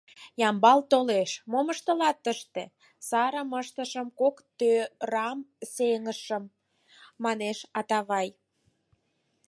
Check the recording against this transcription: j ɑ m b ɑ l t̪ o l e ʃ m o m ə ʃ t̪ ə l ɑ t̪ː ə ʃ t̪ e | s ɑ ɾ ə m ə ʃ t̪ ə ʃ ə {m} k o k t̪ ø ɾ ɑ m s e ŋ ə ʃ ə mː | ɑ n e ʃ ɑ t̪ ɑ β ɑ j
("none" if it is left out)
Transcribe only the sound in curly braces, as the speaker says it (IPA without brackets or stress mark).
m